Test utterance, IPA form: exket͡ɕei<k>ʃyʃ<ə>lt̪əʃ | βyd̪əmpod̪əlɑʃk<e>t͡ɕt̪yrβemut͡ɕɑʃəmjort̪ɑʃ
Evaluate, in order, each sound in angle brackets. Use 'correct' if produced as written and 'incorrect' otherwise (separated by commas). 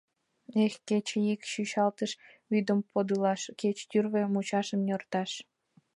correct, incorrect, correct